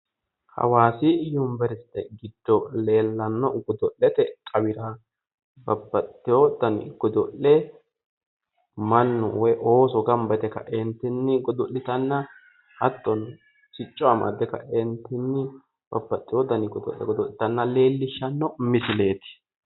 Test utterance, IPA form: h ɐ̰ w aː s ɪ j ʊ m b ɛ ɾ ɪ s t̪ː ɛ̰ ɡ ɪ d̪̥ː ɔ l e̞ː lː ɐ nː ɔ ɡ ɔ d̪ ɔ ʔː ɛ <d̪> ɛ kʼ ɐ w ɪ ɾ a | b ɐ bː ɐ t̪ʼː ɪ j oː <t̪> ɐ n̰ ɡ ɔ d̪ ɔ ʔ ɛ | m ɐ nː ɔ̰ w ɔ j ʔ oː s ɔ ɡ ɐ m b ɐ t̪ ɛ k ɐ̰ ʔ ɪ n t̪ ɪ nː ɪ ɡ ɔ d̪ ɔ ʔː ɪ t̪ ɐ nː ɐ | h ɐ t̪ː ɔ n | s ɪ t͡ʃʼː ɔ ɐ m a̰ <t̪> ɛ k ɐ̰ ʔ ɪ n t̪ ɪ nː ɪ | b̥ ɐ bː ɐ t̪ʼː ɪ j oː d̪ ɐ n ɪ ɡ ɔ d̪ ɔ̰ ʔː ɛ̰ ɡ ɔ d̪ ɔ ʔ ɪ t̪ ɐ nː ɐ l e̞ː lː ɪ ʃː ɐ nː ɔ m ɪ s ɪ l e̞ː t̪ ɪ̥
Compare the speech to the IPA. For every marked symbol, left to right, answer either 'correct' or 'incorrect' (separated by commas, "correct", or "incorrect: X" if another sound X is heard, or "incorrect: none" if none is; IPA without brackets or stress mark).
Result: incorrect: t̪, incorrect: d̪, incorrect: d̪